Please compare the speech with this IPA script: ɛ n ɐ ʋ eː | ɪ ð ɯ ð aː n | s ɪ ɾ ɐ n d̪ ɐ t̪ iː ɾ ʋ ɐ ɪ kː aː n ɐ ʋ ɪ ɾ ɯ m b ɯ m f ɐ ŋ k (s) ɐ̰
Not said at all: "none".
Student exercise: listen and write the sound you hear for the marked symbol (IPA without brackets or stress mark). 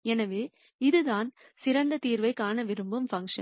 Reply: ʂ